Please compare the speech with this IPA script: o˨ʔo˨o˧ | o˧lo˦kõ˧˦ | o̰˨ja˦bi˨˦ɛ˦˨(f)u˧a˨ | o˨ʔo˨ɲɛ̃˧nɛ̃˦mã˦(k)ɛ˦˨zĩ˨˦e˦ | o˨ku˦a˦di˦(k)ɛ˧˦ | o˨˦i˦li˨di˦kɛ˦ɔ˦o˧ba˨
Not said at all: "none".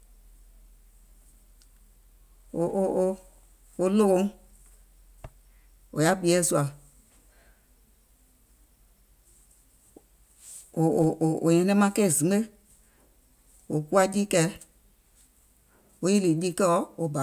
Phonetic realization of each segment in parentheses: s, k, k

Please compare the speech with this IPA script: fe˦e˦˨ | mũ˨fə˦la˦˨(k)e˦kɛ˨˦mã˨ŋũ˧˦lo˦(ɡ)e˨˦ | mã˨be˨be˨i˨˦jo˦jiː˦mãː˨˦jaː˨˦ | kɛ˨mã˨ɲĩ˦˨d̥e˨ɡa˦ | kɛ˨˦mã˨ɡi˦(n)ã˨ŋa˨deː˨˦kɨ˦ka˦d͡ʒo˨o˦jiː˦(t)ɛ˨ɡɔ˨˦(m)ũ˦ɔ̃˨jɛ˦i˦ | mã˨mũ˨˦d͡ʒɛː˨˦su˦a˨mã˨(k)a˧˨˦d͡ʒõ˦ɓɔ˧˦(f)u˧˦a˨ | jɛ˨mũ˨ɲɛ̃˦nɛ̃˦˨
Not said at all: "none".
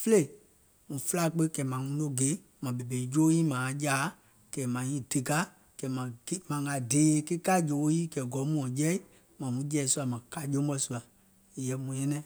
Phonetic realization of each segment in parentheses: k͡p, ɡ, m, k, m, k, s

